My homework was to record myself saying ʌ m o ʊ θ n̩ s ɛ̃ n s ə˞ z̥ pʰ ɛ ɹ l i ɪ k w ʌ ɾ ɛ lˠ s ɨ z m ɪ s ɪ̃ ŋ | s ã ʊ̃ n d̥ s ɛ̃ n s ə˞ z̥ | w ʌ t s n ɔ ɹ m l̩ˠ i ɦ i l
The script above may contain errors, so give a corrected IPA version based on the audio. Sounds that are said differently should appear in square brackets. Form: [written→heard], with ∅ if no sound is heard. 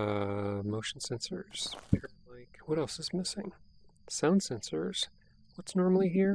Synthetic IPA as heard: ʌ m o ʊ [θ→ʃ] n̩ s ɛ̃ n s ə˞ z̥ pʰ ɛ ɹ l [i→a] ɪ k w ʌ ɾ ɛ lˠ s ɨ z m ɪ s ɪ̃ ŋ | s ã ʊ̃ n d̥ s ɛ̃ n s ə˞ z̥ | w ʌ t s n ɔ ɹ m l̩ˠ i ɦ i [l→ɹ]